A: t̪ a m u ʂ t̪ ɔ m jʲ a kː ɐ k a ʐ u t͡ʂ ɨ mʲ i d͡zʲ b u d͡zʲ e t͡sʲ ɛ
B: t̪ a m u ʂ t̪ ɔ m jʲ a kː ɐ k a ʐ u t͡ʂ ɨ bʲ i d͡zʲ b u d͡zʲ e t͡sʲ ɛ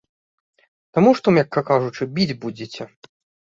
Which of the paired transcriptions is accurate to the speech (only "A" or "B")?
B